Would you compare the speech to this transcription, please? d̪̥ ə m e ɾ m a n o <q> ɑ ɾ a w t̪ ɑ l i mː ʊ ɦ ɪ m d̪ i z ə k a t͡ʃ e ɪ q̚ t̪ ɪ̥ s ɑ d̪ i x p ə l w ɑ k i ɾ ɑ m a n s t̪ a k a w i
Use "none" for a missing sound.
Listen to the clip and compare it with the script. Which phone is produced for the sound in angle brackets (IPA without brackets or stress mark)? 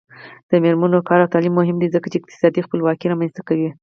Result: k